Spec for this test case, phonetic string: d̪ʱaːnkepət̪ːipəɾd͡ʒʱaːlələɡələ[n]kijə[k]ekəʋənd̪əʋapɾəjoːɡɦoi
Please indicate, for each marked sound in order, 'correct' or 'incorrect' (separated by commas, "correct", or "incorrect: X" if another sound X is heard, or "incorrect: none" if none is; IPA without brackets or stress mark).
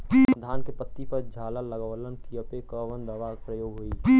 correct, incorrect: p